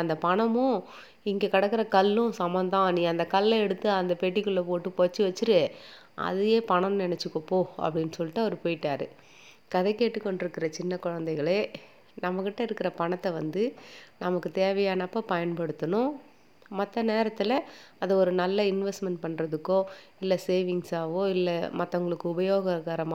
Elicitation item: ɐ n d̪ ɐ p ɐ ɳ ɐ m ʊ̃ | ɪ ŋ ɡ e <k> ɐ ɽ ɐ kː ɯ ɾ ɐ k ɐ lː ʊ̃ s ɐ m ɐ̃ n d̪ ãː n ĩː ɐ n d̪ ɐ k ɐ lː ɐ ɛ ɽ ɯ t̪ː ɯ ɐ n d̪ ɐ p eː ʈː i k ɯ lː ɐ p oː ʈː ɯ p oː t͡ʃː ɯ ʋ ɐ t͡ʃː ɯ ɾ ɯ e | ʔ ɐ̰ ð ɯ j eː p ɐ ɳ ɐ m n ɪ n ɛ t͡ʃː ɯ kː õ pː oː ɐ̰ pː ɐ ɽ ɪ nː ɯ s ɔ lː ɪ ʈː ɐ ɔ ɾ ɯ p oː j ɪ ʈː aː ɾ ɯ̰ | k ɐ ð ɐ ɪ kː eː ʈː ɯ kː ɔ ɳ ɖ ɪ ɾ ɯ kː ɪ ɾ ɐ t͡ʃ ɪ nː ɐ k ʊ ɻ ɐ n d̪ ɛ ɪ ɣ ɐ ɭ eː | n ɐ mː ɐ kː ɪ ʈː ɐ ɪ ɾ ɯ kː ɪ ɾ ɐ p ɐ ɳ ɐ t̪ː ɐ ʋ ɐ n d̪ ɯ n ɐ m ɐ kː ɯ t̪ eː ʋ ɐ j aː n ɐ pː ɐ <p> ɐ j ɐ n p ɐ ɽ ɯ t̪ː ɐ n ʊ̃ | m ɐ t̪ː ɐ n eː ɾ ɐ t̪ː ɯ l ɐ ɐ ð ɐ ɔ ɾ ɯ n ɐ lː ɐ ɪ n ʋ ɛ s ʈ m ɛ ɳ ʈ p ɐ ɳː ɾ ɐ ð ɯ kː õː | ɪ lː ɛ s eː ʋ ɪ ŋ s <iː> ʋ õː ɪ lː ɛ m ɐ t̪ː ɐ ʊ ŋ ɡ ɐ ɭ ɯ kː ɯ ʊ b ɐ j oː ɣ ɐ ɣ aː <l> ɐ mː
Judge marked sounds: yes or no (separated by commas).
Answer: yes, yes, no, no